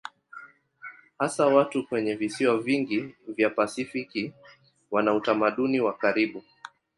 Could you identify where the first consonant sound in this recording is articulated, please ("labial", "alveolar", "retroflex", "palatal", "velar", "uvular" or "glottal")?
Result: glottal